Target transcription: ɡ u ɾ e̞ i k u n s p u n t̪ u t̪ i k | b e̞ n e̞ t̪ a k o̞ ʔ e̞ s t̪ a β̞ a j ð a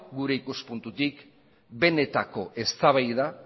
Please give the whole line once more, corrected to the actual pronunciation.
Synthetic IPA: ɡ u ɾ e̞ i k u s p u n t̪ u t̪ i k | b e̞ n e̞ t̪ a k o̞ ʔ e̞ s t̪ a β̞ a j ð a